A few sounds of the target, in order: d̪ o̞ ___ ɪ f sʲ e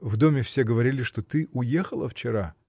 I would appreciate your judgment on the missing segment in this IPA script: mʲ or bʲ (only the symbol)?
mʲ